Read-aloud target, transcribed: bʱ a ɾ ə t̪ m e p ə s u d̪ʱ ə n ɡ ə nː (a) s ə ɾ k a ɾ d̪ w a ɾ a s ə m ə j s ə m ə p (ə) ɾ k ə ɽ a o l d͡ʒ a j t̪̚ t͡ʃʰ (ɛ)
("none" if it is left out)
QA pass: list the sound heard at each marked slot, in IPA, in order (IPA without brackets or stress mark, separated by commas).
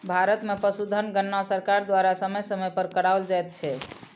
a, ə, ɛ